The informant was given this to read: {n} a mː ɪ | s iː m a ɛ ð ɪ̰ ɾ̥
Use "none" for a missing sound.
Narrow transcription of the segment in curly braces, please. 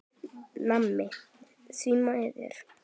n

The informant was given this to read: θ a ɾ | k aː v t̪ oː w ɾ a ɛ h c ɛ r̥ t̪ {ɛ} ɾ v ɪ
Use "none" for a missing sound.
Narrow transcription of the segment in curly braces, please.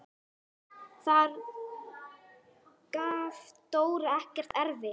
ɛ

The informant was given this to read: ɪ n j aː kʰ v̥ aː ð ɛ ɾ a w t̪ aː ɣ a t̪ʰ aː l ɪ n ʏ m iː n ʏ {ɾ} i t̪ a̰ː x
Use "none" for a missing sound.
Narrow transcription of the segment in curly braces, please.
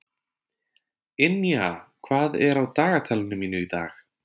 none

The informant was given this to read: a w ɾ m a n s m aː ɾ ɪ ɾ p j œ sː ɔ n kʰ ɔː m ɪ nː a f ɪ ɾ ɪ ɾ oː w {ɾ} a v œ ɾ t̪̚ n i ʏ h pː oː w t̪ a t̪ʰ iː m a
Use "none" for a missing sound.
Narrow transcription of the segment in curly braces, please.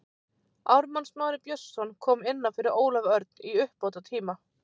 l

